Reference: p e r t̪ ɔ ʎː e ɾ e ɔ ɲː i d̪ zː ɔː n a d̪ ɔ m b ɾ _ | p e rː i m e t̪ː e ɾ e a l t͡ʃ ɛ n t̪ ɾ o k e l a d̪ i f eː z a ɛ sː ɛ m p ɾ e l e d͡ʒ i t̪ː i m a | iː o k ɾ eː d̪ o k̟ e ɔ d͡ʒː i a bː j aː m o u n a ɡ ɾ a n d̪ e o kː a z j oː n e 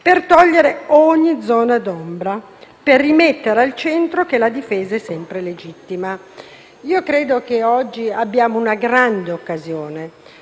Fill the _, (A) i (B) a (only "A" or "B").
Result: B